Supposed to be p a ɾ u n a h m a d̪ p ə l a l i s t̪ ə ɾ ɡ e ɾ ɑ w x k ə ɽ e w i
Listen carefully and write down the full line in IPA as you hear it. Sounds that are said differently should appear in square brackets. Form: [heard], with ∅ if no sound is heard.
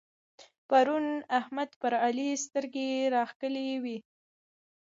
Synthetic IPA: p a ɾ u n a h m a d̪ p ə [ɾ] a l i s t̪ ə ɾ ɡ e ɾ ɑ [∅] x k ə [l] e w i